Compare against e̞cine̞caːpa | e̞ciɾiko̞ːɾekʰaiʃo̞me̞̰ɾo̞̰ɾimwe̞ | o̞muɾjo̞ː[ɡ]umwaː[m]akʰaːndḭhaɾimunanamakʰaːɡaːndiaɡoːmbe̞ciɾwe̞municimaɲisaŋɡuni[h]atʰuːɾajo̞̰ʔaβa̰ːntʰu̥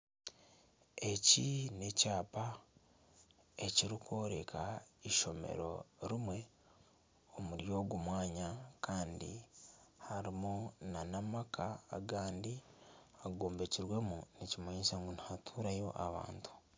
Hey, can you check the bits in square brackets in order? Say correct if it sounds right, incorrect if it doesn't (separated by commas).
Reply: correct, incorrect, correct